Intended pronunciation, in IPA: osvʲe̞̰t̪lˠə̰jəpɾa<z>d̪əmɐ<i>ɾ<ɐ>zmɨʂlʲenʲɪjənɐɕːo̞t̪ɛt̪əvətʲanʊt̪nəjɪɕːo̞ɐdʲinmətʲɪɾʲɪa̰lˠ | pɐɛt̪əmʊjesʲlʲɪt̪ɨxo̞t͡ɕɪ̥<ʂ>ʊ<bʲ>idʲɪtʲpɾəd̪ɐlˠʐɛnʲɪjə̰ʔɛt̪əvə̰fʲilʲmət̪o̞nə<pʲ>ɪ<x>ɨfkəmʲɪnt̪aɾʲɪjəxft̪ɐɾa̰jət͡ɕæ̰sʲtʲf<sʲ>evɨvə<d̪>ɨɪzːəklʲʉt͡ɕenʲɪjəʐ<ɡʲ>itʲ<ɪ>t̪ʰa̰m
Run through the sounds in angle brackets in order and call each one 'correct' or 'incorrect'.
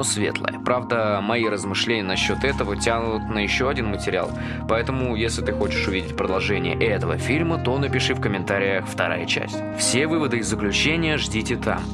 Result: incorrect, correct, incorrect, correct, incorrect, correct, incorrect, correct, correct, incorrect, correct

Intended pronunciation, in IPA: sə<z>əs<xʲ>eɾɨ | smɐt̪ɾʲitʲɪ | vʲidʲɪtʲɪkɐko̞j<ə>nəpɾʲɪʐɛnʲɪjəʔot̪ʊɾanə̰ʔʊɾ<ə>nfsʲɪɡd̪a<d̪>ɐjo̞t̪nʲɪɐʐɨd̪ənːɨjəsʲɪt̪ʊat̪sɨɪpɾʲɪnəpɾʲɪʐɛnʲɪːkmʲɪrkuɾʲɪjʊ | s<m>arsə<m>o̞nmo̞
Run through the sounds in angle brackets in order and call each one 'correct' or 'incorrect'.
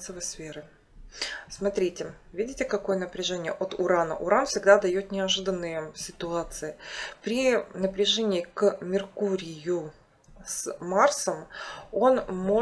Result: incorrect, incorrect, correct, incorrect, correct, correct, correct

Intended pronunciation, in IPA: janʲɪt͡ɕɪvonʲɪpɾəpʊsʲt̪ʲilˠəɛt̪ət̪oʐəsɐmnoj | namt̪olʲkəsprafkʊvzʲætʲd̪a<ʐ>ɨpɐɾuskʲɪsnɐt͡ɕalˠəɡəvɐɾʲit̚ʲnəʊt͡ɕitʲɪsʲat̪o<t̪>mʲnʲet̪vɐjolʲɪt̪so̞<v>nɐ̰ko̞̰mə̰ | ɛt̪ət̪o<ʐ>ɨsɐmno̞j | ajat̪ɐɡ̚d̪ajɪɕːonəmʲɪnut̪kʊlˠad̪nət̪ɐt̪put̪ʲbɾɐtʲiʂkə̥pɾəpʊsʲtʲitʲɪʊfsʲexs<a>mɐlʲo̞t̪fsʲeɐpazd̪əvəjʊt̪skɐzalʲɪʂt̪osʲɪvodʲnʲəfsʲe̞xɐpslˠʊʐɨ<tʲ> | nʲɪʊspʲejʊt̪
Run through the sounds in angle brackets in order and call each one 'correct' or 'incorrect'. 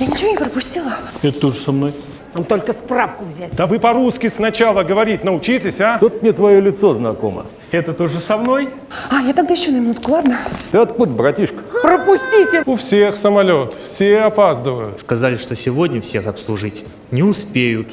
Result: incorrect, correct, incorrect, correct, incorrect, correct

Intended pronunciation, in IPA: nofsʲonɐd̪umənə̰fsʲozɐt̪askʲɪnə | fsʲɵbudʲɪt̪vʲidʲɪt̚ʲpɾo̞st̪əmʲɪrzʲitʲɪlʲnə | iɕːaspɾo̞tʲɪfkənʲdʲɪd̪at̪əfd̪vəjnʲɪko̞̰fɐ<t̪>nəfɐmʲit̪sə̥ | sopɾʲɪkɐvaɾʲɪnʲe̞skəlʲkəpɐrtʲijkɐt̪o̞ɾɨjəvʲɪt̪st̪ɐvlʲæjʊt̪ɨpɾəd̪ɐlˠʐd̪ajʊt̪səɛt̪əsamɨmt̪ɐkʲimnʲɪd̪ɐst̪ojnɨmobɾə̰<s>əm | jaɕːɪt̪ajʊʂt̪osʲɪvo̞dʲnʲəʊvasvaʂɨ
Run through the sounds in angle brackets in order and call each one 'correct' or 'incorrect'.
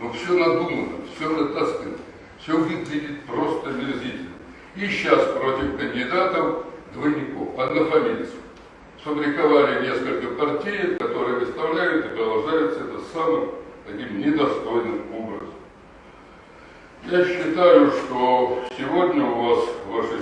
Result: incorrect, incorrect

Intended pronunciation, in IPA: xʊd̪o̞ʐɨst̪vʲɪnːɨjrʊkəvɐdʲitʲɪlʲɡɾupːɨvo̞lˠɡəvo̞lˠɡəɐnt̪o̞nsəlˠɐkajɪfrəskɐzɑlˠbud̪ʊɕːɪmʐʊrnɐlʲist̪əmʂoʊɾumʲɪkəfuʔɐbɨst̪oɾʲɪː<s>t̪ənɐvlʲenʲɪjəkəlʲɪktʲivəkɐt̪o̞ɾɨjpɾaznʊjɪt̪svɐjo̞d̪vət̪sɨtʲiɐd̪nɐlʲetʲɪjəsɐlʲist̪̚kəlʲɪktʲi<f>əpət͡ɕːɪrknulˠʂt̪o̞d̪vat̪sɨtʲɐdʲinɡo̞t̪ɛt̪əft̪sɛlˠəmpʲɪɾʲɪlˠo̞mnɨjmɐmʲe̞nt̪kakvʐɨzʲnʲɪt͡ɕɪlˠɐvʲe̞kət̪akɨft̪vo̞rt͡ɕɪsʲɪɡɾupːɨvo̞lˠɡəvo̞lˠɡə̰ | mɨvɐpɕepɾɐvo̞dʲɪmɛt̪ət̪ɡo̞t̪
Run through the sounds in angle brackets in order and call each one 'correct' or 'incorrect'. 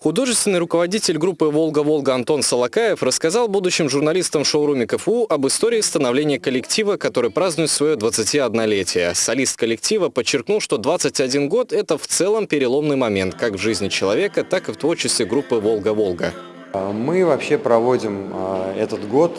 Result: correct, incorrect

